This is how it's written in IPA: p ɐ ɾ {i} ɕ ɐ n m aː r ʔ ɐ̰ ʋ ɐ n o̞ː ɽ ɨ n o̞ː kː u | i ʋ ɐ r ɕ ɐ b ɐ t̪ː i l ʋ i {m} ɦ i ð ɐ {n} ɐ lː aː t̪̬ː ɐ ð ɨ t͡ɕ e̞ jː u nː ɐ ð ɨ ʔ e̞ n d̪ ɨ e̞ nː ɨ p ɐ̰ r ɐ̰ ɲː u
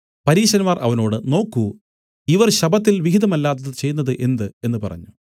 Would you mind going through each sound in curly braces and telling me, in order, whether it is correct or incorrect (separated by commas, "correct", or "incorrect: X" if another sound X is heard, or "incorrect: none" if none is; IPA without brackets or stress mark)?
incorrect: iː, incorrect: none, incorrect: m